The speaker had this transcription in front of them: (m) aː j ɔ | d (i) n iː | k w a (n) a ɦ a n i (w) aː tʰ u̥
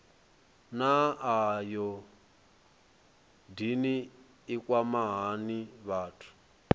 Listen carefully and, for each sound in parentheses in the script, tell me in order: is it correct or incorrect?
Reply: incorrect: n, correct, incorrect: m, incorrect: β

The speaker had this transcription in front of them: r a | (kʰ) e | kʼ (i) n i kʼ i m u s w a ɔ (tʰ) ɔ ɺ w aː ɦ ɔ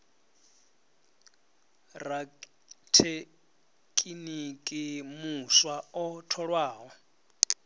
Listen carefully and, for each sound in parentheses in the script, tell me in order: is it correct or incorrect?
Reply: incorrect: tʰ, correct, correct

